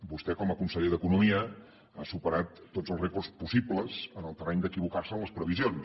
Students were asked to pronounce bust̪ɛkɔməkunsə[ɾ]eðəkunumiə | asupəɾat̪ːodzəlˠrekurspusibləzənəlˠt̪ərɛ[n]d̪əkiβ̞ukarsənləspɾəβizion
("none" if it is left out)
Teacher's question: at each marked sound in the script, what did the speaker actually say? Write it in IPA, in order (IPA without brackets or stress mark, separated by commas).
ʎ, ɲ